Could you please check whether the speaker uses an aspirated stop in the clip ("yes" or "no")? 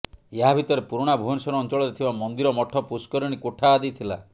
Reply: yes